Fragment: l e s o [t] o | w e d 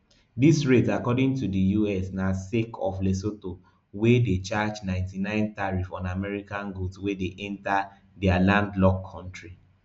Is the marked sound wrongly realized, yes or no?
no